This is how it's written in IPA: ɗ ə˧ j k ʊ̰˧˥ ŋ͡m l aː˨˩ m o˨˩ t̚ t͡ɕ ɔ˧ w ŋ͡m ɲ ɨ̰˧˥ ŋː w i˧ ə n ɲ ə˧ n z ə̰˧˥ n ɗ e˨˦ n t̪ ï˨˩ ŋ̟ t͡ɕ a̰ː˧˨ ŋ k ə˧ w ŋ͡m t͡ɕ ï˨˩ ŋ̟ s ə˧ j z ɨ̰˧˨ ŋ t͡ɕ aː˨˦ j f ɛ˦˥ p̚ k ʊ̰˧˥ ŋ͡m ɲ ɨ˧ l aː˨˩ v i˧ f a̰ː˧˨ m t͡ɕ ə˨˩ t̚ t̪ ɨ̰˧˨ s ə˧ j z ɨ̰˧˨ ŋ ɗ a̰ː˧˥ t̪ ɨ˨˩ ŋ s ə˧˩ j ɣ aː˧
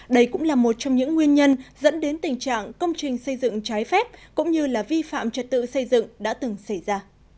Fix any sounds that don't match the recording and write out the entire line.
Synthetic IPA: ɗ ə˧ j k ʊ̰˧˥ ŋ͡m l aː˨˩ m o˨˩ t̚ t͡ɕ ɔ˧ w ŋ͡m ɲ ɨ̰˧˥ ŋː w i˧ ə n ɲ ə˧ n z ə̰˧˥ n ɗ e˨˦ n t̪ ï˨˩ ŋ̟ t͡ɕ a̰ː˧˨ ŋ k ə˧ w ŋ͡m t͡ɕ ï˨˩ ŋ̟ s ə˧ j z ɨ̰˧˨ ŋ t͡ɕ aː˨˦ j f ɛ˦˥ p̚ k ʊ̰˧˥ ŋ͡m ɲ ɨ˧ l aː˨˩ v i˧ f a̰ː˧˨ m t͡ɕ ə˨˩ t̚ t̪ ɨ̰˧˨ s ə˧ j z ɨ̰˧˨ ŋ ɗ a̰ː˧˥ t̪ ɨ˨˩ ŋ s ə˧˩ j z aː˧